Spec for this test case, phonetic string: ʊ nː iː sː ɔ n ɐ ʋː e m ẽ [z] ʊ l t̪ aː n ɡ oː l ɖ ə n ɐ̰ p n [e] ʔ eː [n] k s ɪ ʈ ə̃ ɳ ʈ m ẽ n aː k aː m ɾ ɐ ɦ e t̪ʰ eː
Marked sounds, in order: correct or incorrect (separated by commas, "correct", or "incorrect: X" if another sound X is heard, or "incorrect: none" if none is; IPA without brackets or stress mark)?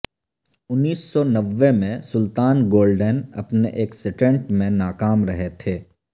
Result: incorrect: s, correct, incorrect: none